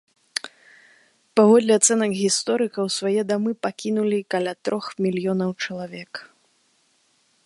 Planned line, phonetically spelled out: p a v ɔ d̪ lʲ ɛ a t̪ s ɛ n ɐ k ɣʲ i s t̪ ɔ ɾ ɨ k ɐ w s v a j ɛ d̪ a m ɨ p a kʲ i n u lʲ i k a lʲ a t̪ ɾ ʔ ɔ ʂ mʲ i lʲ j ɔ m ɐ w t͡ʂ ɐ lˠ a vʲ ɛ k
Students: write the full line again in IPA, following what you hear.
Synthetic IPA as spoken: p a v ɔ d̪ lʲ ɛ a t̪ s ɛ n ɐ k ɣʲ i s t̪ ɔ ɾ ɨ k ɐ w s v a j ɛ d̪ a m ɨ p a kʲ i n u lʲ i k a lʲ a t̪ ɾ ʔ ɔ x mʲ i lʲ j ɔ n ɐ w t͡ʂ ɐ lˠ a vʲ ɛ k